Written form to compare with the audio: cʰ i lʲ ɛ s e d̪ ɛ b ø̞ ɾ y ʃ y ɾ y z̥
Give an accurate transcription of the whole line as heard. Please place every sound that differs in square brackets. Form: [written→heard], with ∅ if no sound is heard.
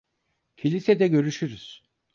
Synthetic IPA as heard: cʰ i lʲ [ɛ→i] s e d̪ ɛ [b→ɟ] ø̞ ɾ y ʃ y ɾ y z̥